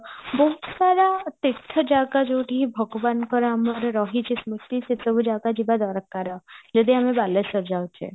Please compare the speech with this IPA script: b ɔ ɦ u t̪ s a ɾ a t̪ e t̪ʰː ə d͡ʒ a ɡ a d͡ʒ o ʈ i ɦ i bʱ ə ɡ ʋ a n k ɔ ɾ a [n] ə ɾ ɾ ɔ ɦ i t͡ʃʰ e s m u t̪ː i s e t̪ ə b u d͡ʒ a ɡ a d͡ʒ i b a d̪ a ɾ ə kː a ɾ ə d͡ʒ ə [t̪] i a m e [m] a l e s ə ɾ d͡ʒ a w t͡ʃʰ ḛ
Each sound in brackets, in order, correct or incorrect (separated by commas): incorrect, incorrect, incorrect